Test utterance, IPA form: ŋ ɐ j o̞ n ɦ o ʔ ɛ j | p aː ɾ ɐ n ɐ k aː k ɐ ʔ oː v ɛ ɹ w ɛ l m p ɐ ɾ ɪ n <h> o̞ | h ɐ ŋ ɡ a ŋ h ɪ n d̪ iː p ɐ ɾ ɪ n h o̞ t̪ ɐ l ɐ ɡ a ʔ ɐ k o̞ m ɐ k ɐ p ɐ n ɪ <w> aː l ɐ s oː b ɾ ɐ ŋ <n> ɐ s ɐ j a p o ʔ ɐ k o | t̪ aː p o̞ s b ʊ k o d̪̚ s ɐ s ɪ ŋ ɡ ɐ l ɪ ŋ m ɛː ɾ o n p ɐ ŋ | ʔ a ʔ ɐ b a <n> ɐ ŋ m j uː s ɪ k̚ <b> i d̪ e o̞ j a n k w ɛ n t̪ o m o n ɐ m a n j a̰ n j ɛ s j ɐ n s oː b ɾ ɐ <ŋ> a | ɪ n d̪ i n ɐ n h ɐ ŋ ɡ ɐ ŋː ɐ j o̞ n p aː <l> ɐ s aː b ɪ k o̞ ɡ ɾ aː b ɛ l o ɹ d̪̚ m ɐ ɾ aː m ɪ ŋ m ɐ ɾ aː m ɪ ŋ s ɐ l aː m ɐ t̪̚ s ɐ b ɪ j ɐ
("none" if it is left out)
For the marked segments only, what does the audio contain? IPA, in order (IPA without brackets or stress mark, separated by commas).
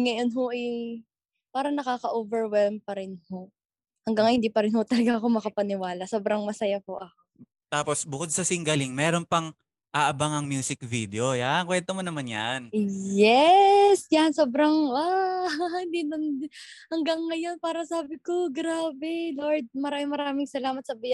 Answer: h, w, m, ŋ, v, ŋ, ɾ